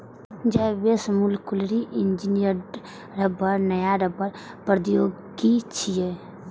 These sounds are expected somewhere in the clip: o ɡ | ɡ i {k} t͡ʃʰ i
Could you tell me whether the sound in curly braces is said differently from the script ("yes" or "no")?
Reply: yes